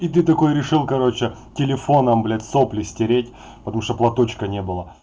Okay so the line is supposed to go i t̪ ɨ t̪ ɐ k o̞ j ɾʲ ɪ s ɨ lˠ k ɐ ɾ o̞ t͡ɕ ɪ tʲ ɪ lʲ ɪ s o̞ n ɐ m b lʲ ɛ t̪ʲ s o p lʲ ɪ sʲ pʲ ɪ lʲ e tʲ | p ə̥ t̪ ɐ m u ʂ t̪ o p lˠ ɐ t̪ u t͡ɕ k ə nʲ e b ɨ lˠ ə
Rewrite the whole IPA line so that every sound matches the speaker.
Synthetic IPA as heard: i t̪ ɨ t̪ ɐ k o̞ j ɾʲ ɪ ʂ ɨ lˠ k ɐ ɾ o̞ t͡ɕ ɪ tʲ ɪ lʲ ɪ f o̞ n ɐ m b lʲ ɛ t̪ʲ s o p lʲ ɪ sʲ tʲ ɪ ɾʲ e tʲ | p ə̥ t̪ ɐ m u ʂ t̪ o p lˠ ɐ t̪ o t͡ɕ k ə nʲ e b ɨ lˠ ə